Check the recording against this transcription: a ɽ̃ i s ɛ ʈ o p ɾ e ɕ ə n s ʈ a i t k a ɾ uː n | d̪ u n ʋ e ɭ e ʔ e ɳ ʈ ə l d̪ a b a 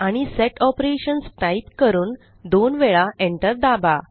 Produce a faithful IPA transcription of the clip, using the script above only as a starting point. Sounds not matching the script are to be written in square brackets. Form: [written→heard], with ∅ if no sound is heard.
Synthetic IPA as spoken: a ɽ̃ i s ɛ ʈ [o→ɔ] p ɾ e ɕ ə n s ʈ a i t k [a→ə] ɾ uː n | d̪ [u→o] n ʋ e ɭ [e→a] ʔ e ɳ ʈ ə [l→ɾ] d̪ a b a

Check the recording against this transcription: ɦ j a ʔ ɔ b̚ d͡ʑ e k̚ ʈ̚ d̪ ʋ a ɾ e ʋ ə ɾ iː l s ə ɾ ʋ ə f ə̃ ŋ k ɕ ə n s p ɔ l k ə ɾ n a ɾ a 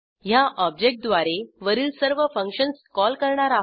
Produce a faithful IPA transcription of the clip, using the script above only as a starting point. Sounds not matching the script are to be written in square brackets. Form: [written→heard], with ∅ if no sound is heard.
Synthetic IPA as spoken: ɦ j a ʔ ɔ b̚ d͡ʑ e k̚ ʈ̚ d̪ ʋ a ɾ e ʋ ə ɾ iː l s ə ɾ ʋ ə f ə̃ ŋ k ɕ ə n s [p→k] ɔ l k ə ɾ [n→ɳ] a ɾ a

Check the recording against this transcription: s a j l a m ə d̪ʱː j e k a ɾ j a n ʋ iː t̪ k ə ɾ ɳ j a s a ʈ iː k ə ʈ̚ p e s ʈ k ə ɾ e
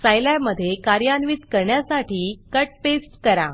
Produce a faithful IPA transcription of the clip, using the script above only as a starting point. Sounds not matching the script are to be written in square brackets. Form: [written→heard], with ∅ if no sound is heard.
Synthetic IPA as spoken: s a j l a m ə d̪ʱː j e k a ɾ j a n ʋ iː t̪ k ə ɾ ɳ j a s a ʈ iː k ə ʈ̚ p e s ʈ k ə ɾ [e→a]

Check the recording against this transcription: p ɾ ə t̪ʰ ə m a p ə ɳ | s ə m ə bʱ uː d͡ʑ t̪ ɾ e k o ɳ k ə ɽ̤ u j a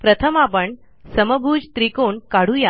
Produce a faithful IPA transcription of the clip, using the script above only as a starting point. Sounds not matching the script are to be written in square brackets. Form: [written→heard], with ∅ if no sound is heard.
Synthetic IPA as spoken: p ɾ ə t̪ʰ ə m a p ə ɳ | s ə m ə bʱ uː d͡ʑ t̪ ɾ [e→i] k o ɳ k [ə→a] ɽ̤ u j a

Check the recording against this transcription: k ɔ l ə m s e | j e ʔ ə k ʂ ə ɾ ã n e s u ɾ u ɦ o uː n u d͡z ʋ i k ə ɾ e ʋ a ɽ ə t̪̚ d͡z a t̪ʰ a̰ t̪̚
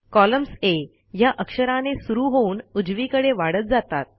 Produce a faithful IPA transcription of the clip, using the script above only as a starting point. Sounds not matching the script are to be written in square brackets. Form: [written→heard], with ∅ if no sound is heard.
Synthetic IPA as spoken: k ɔ l ə m s e | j [e→a] ʔ ə k ʂ ə ɾ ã n e s u ɾ u ɦ o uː n u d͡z ʋ i k ə [ɾ→ɽ] e ʋ a ɽ ə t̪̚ d͡z a [t̪ʰ→t̪] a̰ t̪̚

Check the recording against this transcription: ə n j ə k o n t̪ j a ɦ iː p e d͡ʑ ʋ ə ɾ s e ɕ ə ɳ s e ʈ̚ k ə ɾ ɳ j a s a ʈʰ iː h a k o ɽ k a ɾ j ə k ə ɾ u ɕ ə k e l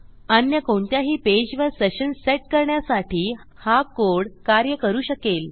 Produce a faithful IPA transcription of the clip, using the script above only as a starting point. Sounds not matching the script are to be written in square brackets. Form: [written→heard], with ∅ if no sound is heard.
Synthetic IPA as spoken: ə n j ə k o [n→ɳ] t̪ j a ɦ iː p e d͡ʑ ʋ ə ɾ s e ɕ ə [ɳ→n] s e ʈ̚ k ə ɾ ɳ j a s a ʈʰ iː h a k o ɽ k a ɾ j ə k ə ɾ [u→uː] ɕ ə k e l

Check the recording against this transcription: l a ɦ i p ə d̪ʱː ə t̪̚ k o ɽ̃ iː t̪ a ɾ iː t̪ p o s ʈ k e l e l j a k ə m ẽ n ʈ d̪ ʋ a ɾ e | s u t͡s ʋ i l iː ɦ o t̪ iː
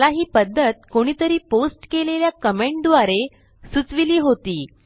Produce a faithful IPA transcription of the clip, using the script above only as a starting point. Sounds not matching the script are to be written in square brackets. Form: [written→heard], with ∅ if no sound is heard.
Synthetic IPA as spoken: l a ɦ [i→iː] p ə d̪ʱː ə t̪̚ k o ɽ̃ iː t̪ [a→ə] ɾ iː [t̪→∅] p o s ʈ k e l e l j a k ə m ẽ [n→ɳ] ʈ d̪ ʋ a ɾ e | s u t͡s ʋ i l iː ɦ o t̪ iː

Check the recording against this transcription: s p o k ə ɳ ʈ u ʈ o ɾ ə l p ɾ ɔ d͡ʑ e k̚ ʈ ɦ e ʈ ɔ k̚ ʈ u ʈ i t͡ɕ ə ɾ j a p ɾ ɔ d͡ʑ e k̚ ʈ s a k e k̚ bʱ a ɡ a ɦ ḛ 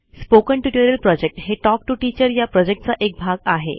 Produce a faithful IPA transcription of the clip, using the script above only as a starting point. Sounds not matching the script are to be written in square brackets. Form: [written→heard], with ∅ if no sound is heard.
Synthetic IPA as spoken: s p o k ə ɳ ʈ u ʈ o ɾ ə l p ɾ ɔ d͡ʑ e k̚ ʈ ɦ e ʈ ɔ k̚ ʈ u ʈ i t͡ɕ ə ɾ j a p ɾ ɔ d͡ʑ e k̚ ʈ [s→t͡s] a [k→ʔ] e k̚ bʱ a ɡ a ɦ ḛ

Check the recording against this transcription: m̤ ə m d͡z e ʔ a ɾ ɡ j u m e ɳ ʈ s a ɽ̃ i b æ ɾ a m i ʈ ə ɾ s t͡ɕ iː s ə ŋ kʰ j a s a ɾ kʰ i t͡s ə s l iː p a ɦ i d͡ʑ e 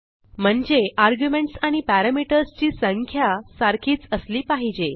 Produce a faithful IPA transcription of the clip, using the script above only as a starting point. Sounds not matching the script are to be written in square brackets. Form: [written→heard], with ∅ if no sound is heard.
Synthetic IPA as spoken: m̤ ə [m→ɳ] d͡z e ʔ a ɾ ɡ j u m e ɳ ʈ s a ɽ̃ i [b→p] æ ɾ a m i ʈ ə ɾ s t͡ɕ iː s ə ŋ kʰ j a s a ɾ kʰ [i→iː] t͡s ə s l iː p a ɦ i d͡ʑ e

